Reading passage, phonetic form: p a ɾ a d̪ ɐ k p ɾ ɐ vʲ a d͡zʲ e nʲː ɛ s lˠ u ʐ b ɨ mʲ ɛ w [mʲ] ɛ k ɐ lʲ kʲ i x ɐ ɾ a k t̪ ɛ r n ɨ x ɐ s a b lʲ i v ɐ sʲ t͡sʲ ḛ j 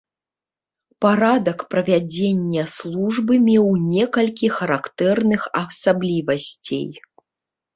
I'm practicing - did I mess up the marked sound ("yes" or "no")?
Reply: yes